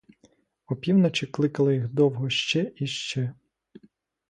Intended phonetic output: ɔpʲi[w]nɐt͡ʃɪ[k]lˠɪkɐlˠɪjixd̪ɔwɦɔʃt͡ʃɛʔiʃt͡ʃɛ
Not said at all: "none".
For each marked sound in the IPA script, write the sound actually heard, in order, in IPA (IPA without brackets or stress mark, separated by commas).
w, k